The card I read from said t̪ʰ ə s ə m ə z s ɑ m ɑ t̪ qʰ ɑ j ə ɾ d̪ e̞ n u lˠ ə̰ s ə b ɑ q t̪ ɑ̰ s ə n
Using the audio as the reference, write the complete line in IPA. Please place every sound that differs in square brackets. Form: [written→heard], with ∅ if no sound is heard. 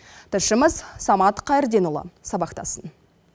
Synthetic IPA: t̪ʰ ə [s→ʃ] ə m ə z s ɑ m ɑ t̪ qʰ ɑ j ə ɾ d̪ e̞ n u lˠ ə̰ s [ə→ɑ] b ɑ q t̪ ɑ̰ s ə n